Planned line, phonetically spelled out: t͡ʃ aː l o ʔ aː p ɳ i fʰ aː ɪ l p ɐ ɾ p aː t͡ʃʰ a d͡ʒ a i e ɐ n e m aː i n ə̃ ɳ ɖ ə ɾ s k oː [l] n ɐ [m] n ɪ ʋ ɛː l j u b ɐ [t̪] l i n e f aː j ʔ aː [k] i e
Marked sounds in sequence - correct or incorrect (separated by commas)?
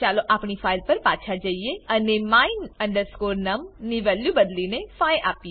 incorrect, correct, incorrect, incorrect